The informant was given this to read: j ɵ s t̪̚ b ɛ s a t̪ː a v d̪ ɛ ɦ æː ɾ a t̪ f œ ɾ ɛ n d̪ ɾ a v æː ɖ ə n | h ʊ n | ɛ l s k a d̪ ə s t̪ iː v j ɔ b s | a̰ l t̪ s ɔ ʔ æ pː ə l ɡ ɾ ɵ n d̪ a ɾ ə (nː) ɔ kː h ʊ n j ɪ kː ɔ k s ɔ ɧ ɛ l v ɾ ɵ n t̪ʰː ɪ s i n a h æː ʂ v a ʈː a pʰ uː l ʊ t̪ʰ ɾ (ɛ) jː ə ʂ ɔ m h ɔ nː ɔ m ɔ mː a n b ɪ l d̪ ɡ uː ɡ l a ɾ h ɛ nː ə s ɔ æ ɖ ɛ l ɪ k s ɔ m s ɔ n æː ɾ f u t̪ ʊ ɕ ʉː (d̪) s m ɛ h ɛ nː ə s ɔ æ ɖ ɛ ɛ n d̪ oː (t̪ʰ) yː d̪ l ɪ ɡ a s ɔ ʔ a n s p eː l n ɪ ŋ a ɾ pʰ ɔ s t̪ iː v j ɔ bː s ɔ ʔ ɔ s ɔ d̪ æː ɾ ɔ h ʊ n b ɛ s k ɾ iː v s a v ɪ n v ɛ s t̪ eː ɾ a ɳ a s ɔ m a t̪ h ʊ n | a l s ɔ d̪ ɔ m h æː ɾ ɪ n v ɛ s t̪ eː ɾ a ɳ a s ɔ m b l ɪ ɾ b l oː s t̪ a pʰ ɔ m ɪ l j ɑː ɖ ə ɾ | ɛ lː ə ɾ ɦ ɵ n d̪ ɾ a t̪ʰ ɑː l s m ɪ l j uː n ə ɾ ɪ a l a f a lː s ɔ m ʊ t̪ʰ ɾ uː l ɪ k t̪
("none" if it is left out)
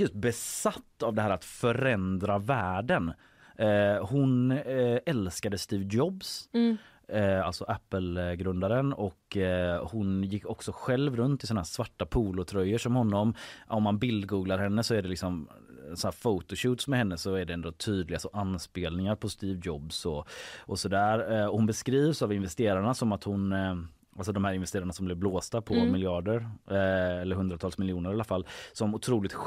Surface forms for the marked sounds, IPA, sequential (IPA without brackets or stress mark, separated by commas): n, œ, t̪, t̪ʰ